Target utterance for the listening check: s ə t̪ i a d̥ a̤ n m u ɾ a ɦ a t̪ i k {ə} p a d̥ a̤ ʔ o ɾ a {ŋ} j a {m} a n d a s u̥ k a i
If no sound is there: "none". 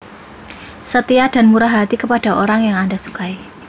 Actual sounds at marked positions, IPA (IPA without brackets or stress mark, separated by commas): ə, ŋ, ŋ